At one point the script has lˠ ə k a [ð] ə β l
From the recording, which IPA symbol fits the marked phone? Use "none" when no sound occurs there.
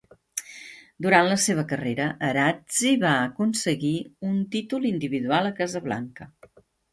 z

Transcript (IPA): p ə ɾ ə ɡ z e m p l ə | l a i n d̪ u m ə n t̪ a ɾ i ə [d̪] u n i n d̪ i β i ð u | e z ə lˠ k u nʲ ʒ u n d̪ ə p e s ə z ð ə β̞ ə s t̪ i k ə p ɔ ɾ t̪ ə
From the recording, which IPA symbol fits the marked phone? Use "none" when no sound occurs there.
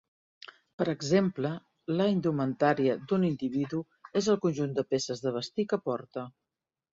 d̪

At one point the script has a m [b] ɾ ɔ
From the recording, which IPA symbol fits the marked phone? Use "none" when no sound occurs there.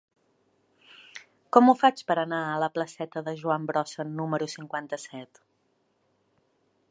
b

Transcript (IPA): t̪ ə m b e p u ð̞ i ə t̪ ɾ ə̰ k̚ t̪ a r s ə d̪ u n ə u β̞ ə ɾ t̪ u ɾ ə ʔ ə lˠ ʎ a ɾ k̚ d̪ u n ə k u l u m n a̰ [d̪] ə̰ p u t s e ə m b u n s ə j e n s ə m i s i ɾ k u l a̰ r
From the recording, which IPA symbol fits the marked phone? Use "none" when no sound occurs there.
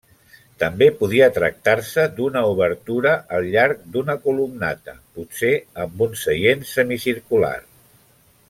t̪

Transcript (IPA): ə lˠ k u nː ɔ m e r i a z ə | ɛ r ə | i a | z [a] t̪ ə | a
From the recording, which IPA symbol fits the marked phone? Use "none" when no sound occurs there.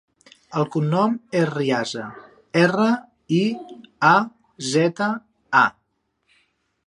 ɛ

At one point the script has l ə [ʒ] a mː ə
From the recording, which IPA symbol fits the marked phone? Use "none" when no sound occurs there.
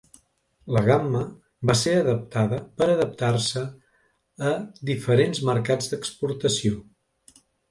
ɣ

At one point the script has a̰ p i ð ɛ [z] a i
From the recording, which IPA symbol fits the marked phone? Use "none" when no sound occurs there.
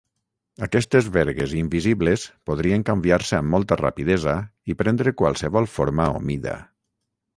z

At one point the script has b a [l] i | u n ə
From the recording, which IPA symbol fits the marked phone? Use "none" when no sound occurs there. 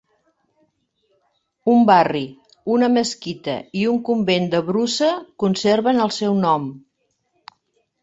r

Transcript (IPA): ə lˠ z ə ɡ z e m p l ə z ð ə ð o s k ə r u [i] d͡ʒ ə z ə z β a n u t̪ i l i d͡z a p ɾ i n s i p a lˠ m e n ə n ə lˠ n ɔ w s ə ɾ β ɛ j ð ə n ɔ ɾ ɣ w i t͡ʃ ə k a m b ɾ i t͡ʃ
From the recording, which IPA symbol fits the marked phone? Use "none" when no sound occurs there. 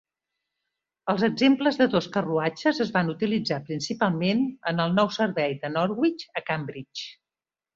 a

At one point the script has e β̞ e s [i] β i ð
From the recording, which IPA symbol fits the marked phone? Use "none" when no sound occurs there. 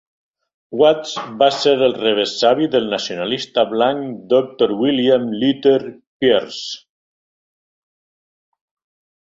a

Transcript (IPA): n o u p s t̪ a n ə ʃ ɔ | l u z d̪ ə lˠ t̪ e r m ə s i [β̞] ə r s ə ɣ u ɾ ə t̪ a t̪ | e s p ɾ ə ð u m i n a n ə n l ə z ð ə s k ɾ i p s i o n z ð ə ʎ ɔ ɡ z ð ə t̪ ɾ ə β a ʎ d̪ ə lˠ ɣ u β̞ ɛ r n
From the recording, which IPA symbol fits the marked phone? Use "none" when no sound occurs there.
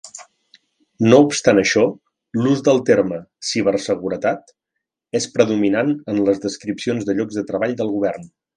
β̞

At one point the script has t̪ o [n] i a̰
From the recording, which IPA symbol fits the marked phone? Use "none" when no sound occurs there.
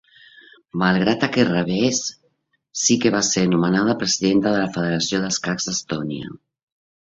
n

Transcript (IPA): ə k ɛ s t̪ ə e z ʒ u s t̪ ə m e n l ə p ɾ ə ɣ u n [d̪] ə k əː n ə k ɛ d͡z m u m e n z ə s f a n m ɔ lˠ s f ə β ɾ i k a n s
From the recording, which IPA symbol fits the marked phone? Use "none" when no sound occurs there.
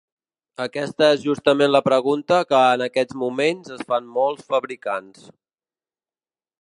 t̪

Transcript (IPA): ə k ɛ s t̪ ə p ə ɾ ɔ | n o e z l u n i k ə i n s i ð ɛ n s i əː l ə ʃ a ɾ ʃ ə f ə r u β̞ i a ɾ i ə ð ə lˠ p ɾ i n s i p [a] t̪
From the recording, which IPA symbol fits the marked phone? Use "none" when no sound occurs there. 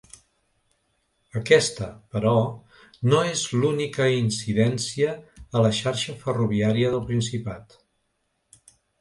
a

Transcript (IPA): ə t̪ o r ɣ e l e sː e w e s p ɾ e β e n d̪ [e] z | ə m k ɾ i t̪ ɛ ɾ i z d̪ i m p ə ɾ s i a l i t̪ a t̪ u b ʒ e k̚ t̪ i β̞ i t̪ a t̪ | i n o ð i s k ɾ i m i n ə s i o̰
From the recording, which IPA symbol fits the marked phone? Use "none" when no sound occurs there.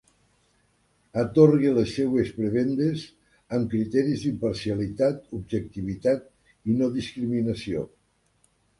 e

